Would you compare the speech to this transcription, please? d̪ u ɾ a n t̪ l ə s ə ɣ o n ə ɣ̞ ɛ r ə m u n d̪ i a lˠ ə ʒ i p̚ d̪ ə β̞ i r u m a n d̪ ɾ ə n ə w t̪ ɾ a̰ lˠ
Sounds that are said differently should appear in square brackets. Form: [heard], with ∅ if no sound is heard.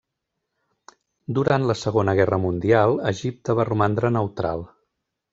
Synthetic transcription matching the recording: d̪ u ɾ a n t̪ l ə s ə ɣ o n ə ɣ̞ ɛ r ə m u n d̪ i a lˠ ə ʒ i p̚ [t̪] ə β̞ [a] r u m a n d̪ ɾ ə n ə w t̪ ɾ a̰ lˠ